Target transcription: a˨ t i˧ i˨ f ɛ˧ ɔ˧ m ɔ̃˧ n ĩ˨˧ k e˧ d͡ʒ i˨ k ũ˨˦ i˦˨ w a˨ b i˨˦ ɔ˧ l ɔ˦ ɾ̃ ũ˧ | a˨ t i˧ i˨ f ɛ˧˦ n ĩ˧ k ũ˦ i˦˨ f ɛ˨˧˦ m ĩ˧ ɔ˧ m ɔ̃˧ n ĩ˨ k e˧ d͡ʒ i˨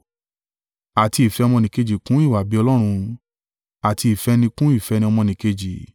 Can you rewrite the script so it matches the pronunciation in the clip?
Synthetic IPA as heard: a˨ t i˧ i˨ f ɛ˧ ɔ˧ m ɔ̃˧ n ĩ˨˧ k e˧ d͡ʒ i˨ k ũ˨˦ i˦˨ w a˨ b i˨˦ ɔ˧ l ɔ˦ ɾ̃ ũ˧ | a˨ t i˧ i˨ f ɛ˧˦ n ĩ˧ k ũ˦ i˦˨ f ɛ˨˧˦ n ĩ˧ ɔ˧ m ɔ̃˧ n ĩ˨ k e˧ d͡ʒ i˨

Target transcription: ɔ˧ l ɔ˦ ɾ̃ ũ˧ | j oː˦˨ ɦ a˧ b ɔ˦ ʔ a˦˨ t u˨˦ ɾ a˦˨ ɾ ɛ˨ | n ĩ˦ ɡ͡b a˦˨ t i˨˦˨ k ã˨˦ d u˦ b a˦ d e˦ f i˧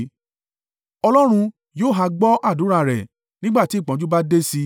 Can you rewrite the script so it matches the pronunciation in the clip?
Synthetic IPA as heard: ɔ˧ l ɔ˦ ɾ̃ ũ˧ | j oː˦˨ ɦ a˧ ɡ͡b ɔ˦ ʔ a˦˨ d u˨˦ ɾ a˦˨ ɾ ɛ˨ | n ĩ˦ ɡ͡b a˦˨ t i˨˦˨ k͡p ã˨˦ d͡ʒ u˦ b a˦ d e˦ s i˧

